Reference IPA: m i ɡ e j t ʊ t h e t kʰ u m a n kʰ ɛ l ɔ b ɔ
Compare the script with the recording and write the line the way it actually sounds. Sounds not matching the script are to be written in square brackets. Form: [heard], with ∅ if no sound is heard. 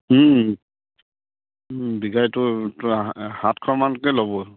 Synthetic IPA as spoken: [b] i ɡ [a] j t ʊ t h [a] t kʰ [ɔ] m a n [k] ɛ l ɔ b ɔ